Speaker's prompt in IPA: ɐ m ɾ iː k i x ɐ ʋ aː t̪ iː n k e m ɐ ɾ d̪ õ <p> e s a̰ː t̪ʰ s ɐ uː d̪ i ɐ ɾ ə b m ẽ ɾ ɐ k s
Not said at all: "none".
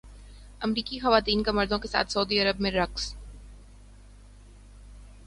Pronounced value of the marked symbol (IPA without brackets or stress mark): k